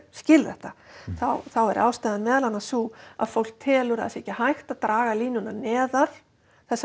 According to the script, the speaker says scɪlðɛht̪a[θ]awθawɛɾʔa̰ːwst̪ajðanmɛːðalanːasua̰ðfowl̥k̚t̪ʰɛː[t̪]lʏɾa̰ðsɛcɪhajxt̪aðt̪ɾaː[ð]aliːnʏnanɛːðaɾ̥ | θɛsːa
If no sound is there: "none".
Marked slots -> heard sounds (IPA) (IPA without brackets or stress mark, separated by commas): θ, none, ɣ